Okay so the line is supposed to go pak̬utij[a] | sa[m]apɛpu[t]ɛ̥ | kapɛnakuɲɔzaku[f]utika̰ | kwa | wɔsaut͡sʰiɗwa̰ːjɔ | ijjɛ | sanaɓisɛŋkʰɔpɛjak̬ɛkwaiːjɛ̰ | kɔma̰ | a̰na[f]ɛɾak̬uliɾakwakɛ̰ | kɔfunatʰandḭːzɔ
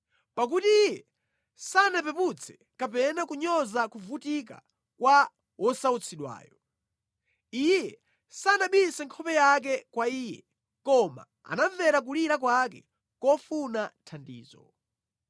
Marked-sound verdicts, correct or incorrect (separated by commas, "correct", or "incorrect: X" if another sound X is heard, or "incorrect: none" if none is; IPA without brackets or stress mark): incorrect: ɛ, incorrect: n, incorrect: t͡sʰ, incorrect: v, incorrect: v